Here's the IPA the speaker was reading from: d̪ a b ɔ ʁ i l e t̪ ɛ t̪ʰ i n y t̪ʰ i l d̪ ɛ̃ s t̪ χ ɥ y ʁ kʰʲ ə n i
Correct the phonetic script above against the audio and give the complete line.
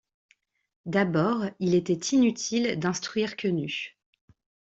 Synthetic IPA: d̪ a b ɔ ʁ i l e t̪ ɛ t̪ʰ i n y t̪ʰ i l d̪ ɛ̃ s t̪ χ ɥ i ʁ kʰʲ ə n y